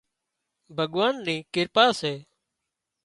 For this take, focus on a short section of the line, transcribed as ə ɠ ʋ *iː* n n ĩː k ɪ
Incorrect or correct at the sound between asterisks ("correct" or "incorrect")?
incorrect